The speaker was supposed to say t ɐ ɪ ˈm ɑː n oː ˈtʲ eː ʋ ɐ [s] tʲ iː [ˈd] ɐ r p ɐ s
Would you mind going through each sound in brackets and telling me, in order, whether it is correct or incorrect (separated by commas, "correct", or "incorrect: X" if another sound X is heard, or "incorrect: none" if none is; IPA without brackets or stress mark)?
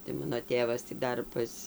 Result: correct, correct